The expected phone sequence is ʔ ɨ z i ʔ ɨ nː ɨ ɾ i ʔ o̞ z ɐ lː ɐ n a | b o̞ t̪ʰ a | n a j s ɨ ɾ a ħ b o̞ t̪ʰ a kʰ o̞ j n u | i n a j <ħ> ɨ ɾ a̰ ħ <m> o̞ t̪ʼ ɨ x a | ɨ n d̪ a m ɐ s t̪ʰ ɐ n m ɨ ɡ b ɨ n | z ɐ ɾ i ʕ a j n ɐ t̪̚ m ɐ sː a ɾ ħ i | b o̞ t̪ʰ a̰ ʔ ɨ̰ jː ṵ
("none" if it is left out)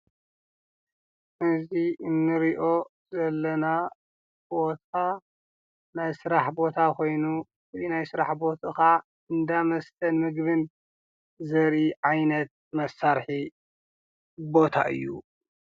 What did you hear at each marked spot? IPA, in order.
s, b

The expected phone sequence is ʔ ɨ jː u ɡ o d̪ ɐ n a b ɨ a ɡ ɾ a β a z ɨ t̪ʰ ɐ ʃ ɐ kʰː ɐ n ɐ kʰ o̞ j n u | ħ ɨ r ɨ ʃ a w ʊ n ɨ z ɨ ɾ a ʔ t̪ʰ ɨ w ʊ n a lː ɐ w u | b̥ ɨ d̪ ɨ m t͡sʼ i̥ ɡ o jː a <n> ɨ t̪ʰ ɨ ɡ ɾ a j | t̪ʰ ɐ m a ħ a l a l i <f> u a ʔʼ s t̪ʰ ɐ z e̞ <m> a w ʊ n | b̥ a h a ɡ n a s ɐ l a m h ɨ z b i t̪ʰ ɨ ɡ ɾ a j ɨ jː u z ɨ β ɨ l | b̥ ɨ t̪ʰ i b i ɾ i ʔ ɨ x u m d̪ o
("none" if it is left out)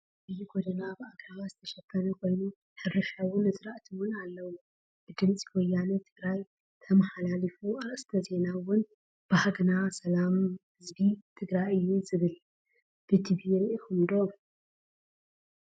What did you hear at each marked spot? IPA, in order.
n, f, n

